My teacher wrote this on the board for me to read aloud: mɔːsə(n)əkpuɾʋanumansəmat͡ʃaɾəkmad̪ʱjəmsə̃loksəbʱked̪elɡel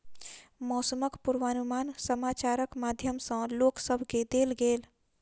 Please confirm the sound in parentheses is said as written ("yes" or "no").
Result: no